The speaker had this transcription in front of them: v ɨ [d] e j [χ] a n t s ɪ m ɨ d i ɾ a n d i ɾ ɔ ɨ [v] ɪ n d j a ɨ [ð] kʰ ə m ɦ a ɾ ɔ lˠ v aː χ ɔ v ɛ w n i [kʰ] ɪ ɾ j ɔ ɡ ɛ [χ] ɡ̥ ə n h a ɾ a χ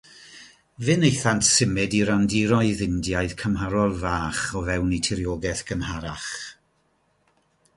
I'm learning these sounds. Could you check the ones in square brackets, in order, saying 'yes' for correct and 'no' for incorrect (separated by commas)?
no, no, no, yes, no, no